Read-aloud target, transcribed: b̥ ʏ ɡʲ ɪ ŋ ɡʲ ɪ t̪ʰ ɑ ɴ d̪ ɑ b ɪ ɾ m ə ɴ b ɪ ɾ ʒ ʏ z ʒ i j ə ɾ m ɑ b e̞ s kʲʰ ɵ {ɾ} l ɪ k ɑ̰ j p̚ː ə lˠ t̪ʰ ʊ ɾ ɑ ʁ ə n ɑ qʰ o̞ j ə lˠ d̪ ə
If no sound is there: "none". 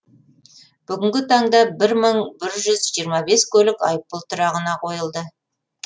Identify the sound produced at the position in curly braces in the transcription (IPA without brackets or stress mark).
none